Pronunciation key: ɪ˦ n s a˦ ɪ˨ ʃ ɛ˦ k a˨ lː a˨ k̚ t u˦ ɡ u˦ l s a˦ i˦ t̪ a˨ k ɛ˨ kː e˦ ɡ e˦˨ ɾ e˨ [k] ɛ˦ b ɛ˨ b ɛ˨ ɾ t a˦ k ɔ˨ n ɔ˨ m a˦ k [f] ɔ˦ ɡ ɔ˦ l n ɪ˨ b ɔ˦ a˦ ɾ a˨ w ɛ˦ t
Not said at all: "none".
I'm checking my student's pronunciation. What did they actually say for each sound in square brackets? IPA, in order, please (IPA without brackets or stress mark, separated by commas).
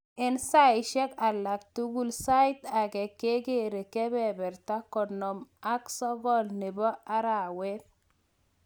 k, s